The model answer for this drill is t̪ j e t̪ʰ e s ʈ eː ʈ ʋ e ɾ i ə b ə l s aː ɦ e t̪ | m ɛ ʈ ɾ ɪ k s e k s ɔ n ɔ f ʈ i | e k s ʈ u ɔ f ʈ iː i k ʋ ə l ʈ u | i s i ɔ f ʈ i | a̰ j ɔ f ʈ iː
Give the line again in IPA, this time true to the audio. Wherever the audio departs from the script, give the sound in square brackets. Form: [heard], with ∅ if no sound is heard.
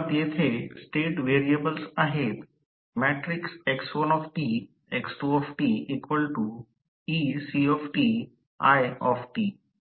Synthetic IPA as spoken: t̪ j e t̪ʰ e s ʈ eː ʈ ʋ e ɾ i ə b ə l s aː ɦ e t̪ | m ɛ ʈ ɾ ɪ k s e k s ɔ n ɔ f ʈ i | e k s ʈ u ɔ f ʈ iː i k ʋ ə l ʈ u | i s i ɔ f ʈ i | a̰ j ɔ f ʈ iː